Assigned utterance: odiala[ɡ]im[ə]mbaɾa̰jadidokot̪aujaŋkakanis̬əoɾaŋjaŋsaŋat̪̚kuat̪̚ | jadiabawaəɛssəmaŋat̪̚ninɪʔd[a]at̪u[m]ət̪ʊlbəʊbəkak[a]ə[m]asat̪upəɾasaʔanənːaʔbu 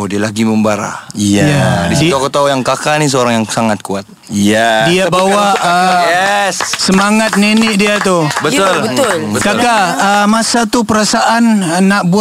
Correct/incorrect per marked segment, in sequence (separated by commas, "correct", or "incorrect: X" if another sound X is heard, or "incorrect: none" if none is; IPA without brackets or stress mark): correct, correct, incorrect: i, incorrect: b, correct, correct